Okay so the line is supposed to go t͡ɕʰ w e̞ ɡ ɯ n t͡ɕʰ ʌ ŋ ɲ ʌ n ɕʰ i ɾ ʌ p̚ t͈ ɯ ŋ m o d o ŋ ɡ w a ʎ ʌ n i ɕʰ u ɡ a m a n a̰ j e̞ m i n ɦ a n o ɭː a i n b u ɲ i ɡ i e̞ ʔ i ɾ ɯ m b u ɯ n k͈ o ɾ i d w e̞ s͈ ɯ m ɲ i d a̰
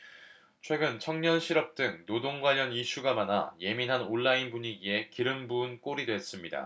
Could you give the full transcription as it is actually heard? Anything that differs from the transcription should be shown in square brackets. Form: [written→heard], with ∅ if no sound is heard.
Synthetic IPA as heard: t͡ɕʰ w e̞ ɡ ɯ n t͡ɕʰ ʌ ŋ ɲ ʌ n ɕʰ i ɾ ʌ p̚ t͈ ɯ ŋ [m→n] o d o ŋ ɡ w a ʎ ʌ n i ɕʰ u ɡ a m a n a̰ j e̞ m i n ɦ a n o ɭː a i n b u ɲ i ɡ i e̞ [ʔ→k] i ɾ ɯ m b u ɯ n k͈ o ɾ i d w e̞ s͈ ɯ m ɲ i d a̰